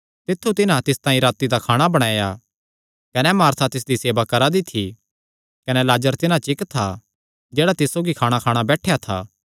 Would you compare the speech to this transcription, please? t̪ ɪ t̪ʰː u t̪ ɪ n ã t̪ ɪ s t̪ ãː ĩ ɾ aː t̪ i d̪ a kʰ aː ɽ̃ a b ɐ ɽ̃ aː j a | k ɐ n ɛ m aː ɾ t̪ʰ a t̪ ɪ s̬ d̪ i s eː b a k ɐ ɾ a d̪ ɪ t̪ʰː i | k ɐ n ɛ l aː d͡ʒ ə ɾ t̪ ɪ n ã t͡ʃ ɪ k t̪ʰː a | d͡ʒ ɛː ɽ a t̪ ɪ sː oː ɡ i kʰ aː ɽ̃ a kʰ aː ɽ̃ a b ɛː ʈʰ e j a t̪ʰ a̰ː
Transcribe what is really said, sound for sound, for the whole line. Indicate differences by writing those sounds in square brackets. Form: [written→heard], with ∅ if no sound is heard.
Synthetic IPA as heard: t̪ ɪ t̪ʰː u t̪ ɪ n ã t̪ ɪ s t̪ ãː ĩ ɾ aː t̪ i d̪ a kʰ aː ɽ̃ a b ɐ ɽ̃ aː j a | k ɐ n ɛ m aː ɾ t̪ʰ a t̪ ɪ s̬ d̪ i s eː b a k ɐ ɾ a d̪ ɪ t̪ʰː i | k ɐ n ɛ l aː d͡ʒ ə ɾ t̪ ɪ n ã t͡ʃ ɪ k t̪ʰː a | d͡ʒ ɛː ɽ a t̪ ɪ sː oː ɡ i kʰ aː ɽ̃ a kʰ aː ɽ̃ a b ɛː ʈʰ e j a t̪ʰ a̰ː